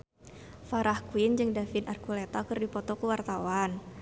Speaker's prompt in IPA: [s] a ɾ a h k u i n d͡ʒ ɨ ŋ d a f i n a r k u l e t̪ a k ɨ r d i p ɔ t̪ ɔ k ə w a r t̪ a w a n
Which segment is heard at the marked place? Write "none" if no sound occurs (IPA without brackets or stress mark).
f